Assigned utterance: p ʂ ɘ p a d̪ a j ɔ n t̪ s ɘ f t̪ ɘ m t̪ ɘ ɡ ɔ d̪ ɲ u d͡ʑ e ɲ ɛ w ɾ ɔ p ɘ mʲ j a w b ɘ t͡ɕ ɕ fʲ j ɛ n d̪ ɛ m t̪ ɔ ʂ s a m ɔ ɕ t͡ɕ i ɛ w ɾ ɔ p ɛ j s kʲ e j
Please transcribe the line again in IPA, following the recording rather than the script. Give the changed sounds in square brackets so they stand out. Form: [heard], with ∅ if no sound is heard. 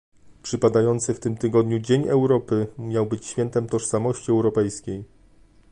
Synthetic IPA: p ʂ ɘ p a d̪ a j ɔ n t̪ s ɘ f t̪ ɘ m t̪ ɘ ɡ ɔ d̪ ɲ u d͡ʑ e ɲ ɛ w ɾ ɔ p ɘ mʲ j a w b ɘ t͡ɕ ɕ fʲ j ɛ n [t̪] ɛ m t̪ ɔ ʂ s a m ɔ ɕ t͡ɕ i ɛ w ɾ ɔ p ɛ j s kʲ e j